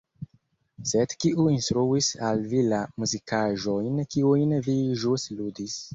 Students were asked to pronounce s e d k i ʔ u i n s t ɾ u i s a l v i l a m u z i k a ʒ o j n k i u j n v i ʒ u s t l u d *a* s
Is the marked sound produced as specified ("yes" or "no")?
no